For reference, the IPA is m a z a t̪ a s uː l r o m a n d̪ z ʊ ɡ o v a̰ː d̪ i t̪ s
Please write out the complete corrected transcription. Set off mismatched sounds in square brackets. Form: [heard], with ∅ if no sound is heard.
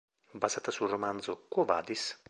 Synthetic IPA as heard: [b] a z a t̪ a s [u] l r o m a n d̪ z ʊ [k] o v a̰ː d̪ i [∅] s